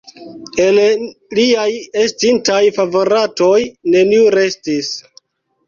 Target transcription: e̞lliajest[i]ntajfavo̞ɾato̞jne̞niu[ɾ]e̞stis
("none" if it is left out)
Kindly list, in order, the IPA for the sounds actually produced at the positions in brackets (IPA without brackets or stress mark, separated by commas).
i, ɾ